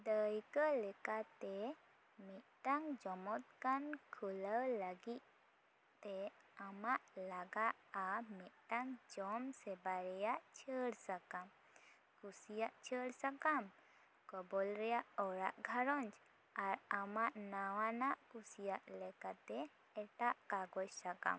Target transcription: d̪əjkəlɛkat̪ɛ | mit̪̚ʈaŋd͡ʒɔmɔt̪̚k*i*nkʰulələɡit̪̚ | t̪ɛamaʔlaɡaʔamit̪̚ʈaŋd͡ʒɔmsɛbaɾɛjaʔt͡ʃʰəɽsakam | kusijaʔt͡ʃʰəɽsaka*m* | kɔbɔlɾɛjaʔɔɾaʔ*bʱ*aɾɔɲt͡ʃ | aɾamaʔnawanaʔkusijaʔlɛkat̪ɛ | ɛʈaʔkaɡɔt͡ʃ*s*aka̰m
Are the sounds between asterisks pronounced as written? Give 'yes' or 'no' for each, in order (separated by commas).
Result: no, yes, no, yes